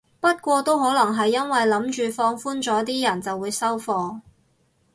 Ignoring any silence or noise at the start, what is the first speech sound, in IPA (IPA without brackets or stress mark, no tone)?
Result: p